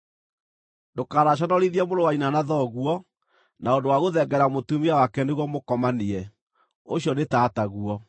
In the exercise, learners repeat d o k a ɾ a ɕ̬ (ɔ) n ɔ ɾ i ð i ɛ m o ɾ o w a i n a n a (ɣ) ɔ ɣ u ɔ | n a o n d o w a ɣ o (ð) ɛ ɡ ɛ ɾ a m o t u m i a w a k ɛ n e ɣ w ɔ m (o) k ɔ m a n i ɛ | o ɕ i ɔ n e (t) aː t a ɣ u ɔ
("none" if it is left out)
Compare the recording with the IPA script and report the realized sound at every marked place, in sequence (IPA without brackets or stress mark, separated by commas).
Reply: ɔ, ð, ð, o, t